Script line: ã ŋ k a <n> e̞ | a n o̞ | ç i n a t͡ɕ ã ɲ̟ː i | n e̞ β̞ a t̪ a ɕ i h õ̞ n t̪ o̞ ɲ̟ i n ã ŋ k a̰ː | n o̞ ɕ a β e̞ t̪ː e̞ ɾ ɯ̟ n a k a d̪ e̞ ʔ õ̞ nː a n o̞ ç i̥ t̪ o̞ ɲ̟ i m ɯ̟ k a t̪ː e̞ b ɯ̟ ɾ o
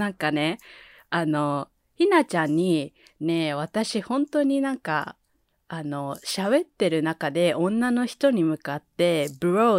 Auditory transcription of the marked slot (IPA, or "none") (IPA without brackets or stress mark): n